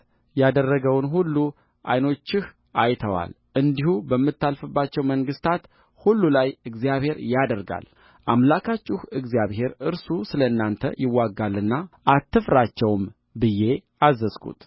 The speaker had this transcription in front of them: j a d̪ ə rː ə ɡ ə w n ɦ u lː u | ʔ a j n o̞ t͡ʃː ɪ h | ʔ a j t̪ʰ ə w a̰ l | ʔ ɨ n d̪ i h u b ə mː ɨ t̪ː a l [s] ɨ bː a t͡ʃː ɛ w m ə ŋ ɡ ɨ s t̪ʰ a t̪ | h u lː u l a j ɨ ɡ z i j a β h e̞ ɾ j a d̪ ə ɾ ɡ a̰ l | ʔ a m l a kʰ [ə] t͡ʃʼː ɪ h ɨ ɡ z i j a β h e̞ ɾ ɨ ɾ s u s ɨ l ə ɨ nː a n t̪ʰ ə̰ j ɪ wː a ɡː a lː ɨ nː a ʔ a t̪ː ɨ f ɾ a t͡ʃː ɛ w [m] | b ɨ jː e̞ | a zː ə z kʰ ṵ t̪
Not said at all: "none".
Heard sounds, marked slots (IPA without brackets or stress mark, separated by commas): f, a, m